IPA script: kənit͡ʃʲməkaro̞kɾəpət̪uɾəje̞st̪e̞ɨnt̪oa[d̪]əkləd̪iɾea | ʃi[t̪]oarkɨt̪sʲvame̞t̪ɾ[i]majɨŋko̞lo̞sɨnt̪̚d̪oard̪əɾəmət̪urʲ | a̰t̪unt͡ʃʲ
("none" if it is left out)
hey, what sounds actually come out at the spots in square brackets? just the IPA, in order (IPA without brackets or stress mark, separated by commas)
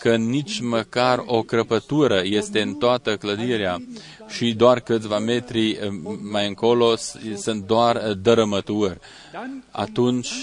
t̪, d̪, i